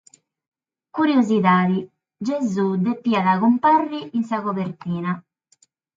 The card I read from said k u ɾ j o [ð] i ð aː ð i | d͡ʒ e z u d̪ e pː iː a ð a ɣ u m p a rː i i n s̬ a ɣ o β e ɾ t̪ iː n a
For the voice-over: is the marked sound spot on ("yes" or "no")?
no